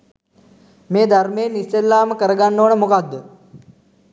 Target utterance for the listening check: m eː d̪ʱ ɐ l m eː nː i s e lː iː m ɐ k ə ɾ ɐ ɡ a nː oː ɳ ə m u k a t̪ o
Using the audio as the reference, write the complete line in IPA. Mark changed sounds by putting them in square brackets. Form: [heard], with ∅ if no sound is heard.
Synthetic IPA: m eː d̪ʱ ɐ [ɾ] m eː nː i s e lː [aː] m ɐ k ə ɾ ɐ ɡ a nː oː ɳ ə m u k a [d̪] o